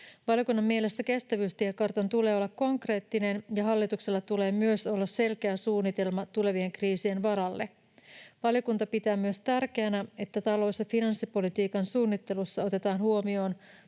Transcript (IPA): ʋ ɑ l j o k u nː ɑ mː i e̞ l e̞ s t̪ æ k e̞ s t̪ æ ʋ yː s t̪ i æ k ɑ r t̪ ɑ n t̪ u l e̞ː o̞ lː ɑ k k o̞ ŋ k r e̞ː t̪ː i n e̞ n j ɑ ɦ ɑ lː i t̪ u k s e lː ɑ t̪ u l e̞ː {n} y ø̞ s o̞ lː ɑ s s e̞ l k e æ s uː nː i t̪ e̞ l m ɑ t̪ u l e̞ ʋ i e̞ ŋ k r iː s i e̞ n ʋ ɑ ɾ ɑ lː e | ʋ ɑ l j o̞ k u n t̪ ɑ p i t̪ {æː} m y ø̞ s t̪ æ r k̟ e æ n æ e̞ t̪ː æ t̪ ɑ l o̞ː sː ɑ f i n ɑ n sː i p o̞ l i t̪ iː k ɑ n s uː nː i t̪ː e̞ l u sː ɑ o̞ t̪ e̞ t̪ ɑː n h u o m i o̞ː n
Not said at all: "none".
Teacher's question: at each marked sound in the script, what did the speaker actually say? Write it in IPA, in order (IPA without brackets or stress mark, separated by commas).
m, æː